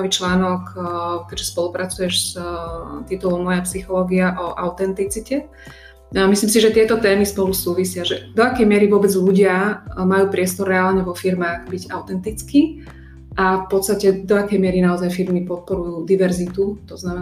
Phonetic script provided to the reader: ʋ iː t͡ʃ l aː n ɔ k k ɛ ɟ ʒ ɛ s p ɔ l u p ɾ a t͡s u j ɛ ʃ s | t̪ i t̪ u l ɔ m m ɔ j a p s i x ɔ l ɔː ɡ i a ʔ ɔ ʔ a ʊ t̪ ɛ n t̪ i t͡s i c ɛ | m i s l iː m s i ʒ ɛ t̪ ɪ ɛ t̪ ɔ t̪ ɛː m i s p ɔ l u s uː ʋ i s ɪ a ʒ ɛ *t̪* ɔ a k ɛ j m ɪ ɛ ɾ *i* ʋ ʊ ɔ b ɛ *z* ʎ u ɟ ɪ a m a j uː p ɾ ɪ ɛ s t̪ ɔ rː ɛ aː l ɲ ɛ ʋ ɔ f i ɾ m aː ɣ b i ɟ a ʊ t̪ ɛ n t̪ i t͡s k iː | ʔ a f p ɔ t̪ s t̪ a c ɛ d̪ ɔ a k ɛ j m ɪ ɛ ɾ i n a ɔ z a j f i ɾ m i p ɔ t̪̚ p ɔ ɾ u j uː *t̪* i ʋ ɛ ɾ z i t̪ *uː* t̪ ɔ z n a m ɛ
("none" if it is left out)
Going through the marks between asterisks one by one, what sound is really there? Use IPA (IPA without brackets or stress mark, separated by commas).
d̪, i, d͡z, d̪, u